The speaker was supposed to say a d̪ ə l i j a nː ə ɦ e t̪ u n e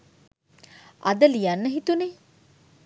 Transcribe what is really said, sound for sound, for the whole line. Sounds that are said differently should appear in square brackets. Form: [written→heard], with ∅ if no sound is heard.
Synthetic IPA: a d̪ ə l i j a nː ə ɦ [e→i] t̪ u n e